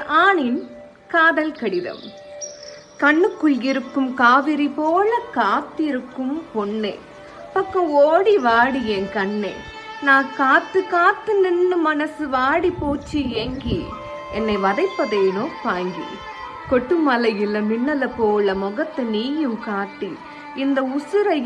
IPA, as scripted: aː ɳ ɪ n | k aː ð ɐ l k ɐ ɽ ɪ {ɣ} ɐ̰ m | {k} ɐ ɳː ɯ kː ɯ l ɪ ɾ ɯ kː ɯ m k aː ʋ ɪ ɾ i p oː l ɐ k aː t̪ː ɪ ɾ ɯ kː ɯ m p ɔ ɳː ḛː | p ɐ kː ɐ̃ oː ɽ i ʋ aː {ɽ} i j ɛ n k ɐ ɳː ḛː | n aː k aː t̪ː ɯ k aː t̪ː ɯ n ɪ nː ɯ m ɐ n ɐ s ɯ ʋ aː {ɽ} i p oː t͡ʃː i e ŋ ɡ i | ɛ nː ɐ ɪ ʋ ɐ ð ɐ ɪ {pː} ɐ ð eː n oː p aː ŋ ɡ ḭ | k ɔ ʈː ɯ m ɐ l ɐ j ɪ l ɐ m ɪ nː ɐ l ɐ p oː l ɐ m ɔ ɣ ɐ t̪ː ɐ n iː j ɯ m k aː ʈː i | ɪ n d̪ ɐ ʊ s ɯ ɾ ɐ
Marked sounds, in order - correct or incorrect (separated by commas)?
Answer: incorrect, correct, correct, correct, correct